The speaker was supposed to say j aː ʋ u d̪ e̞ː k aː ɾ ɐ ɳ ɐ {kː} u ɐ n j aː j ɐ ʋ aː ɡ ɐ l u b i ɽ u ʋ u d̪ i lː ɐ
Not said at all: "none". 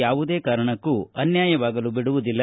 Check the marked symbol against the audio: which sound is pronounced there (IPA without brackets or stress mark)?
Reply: kː